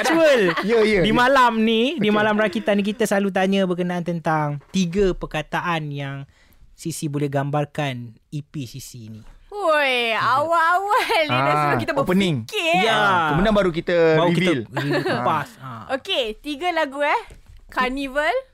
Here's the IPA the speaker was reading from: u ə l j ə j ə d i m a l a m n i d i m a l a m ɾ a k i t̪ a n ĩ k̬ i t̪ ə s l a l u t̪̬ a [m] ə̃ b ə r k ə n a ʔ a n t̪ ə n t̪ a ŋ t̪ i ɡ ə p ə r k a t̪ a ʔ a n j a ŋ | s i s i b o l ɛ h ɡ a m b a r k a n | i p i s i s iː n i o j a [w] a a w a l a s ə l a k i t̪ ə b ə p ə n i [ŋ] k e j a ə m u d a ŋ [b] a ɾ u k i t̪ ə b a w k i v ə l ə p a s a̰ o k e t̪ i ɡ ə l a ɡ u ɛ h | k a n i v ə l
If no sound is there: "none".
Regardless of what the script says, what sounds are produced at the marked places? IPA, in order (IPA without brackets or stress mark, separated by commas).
ɲ, w, ŋ, b